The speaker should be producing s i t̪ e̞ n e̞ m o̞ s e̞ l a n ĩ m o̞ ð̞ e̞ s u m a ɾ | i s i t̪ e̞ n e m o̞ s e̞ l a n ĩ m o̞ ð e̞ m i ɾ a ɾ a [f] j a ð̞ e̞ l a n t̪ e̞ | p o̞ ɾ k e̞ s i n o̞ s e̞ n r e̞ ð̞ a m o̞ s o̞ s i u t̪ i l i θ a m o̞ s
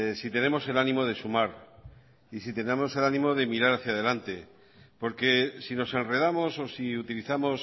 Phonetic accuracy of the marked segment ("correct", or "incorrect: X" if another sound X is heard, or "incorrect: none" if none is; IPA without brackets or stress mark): incorrect: θ